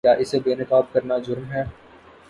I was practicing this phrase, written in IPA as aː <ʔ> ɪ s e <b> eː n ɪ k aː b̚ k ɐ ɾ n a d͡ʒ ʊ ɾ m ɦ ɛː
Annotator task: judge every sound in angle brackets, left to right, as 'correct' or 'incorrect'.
correct, correct

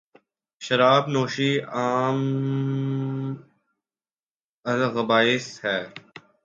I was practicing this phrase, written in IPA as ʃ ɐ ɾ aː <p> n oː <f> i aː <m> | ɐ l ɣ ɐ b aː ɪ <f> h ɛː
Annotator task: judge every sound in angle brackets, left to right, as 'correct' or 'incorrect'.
incorrect: b, incorrect: ʃ, correct, incorrect: s

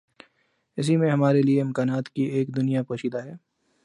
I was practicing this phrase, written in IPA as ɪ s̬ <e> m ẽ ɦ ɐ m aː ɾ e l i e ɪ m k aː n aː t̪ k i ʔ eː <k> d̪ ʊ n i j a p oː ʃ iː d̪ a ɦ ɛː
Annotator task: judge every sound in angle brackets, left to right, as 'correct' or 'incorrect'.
incorrect: i, correct

